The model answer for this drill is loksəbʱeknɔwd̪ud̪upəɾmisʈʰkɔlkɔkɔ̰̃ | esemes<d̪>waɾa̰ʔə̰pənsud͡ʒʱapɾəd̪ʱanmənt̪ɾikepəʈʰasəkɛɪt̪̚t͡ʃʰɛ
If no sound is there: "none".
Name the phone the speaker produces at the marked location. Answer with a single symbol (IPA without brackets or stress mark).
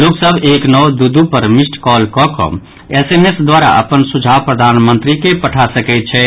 d̪